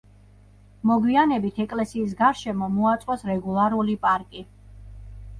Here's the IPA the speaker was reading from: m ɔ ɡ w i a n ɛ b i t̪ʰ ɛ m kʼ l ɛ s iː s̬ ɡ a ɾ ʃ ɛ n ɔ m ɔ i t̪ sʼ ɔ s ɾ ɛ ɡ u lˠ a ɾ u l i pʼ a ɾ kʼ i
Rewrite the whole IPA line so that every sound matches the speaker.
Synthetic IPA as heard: m ɔ ɡ w i a n ɛ b i t̪ʰ ɛ kʼ l ɛ s iː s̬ ɡ a ɾ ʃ ɛ m ɔ m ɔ a t̪ sʼ ɔ s ɾ ɛ ɡ u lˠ a ɾ u l i pʼ a ɾ kʼ i